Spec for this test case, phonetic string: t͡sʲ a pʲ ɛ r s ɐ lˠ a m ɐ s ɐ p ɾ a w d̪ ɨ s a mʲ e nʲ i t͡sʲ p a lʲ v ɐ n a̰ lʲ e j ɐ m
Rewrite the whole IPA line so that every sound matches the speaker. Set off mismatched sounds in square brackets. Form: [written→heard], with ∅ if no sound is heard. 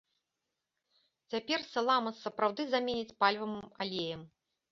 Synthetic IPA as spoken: t͡sʲ a pʲ ɛ r s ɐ lˠ a m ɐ s ɐ p ɾ a w d̪ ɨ [s→z] a mʲ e nʲ i t͡sʲ p a lʲ v ɐ [n→m] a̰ lʲ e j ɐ m